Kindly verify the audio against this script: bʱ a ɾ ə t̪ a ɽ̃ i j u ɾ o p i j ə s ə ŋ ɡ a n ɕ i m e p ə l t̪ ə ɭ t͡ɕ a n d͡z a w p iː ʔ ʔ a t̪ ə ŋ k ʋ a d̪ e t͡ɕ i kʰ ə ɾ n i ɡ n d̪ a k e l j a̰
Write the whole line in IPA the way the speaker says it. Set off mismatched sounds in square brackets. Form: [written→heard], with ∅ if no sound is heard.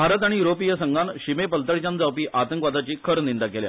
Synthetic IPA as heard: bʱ a ɾ ə t̪ a ɽ̃ i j u ɾ o p i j ə s ə ŋ ɡ a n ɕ i m e p ə l t̪ ə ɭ t͡ɕ a n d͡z a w p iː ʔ ʔ a t̪ ə ŋ k ʋ a d̪ [e→a] t͡ɕ [i→iː] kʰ ə ɾ n i [ɡ→∅] n d̪ a k e l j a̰